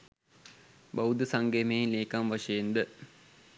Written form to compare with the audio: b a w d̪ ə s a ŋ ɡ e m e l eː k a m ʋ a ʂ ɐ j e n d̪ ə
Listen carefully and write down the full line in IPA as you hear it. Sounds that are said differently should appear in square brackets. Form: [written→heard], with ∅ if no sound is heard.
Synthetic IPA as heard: b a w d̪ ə s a ŋ ɡ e m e l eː k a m ʋ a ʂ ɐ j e n d̪ ə